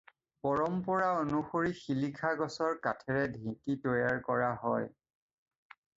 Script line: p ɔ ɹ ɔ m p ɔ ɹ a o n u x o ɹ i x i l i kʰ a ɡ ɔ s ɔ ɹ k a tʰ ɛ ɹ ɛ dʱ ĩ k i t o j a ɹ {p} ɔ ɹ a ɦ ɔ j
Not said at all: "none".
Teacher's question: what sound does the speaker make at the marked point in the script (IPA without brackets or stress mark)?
k